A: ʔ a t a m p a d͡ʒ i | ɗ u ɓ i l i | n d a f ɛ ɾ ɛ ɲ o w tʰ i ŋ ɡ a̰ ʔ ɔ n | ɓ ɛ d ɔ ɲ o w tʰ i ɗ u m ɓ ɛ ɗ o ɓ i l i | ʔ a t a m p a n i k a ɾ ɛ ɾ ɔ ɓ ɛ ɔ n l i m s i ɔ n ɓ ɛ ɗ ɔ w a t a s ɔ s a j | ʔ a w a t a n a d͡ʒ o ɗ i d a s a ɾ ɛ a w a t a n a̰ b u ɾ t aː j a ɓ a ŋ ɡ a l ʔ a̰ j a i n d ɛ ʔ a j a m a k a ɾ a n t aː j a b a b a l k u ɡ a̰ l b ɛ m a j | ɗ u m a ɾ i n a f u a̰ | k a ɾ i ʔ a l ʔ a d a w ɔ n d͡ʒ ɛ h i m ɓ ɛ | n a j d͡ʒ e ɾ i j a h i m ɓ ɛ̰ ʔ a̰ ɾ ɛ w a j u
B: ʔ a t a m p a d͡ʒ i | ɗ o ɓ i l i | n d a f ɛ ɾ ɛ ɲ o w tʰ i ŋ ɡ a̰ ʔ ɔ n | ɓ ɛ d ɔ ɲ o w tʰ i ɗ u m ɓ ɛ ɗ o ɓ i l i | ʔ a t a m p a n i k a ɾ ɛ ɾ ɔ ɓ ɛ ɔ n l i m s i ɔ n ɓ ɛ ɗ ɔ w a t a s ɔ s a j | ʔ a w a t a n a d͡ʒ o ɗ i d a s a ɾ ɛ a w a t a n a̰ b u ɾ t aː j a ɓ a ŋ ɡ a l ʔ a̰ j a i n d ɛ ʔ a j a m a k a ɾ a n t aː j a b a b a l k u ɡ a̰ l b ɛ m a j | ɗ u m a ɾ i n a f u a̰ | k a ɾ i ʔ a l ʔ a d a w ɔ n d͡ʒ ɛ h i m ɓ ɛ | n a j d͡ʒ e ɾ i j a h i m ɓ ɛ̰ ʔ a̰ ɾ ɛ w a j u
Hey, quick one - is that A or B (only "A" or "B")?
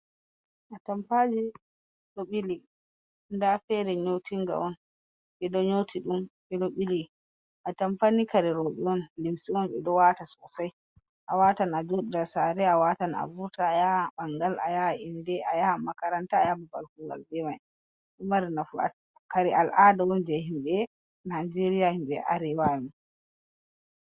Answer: B